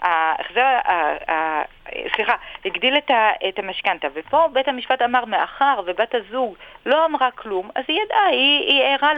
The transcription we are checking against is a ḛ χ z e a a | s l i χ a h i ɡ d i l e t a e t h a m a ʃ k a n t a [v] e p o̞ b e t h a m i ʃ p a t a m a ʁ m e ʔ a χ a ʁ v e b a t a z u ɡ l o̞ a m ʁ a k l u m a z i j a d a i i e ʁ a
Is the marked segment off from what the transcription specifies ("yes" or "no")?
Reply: no